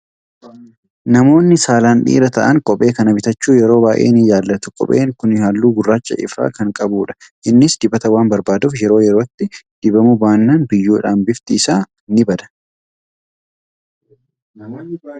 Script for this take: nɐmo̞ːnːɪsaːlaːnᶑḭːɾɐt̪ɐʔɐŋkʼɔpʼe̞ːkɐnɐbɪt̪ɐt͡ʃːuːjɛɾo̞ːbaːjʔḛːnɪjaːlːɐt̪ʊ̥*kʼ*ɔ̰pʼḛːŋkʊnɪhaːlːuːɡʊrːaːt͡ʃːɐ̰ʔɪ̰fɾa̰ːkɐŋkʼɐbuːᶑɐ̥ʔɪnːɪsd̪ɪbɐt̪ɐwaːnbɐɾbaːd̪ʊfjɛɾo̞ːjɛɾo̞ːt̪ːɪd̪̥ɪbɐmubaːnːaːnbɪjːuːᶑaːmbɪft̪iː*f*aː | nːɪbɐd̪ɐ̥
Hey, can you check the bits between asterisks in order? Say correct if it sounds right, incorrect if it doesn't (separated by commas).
correct, incorrect